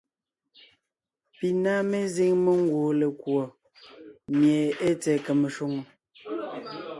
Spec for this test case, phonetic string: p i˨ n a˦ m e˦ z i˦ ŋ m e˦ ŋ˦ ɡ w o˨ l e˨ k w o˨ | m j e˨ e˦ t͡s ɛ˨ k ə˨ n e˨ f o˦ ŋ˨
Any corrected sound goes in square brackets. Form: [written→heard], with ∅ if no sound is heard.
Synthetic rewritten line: p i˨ n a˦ m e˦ z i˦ ŋ m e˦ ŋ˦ ɡ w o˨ l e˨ k w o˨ | m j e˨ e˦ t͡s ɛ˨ k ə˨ [n→m] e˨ [f→ʃ] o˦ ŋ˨